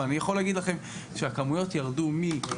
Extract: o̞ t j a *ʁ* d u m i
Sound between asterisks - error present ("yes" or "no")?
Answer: no